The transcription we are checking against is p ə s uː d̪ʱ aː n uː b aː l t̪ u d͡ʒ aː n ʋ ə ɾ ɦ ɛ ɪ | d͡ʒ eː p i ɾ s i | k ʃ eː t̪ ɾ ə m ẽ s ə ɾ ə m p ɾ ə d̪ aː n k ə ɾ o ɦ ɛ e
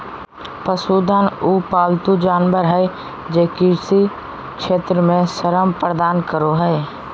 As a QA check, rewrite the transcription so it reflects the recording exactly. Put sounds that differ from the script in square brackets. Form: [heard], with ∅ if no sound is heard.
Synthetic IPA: p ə s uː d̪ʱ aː n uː [p] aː l t̪ u d͡ʒ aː n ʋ ə ɾ ɦ ɛ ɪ | d͡ʒ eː [k] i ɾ s i | k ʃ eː t̪ ɾ ə m ẽ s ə ɾ ə m p ɾ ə d̪ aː n k ə ɾ o ɦ ɛ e